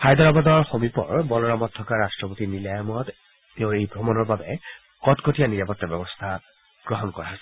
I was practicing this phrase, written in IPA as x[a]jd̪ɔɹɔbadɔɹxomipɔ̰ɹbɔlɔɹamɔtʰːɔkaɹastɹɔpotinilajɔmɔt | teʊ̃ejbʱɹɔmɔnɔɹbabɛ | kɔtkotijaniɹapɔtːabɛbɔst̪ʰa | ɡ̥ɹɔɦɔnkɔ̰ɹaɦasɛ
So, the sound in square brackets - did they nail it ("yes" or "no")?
yes